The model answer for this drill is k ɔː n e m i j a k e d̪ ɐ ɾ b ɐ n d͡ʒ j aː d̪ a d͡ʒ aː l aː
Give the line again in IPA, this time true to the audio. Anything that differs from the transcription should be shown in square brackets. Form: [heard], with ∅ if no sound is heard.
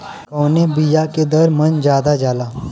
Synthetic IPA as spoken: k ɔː n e [b] i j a k e d̪ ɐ ɾ [m] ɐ n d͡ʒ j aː d̪ a d͡ʒ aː l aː